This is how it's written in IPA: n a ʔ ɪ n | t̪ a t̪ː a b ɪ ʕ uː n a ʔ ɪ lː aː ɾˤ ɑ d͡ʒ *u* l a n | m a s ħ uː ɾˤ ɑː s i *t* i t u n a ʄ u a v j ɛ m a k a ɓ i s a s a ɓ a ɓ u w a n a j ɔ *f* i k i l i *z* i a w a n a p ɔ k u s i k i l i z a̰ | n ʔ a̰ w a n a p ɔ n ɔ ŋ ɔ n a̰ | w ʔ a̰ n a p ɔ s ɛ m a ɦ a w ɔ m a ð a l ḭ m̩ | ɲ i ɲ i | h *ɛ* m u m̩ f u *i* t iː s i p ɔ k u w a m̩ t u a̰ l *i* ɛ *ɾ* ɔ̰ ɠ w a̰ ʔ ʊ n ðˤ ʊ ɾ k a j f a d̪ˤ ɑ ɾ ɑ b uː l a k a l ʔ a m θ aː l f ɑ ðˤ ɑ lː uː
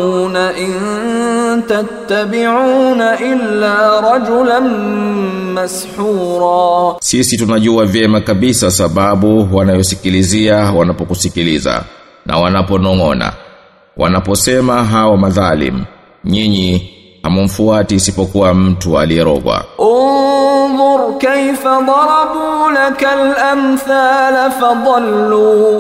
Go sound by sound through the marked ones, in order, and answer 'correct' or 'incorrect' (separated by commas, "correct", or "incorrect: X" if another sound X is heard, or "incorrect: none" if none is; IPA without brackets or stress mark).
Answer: incorrect: ʊ, incorrect: s, incorrect: s, correct, incorrect: a, incorrect: a, correct, correct